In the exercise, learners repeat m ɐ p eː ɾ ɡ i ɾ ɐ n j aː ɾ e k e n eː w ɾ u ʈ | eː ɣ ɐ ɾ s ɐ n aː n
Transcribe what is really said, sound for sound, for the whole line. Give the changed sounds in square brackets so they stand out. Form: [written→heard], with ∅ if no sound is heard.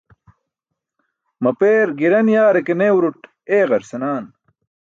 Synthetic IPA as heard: m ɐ p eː ɾ ɡ i ɾ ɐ n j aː ɾ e k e n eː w ɾ u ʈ | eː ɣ ɐ ɾ s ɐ n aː n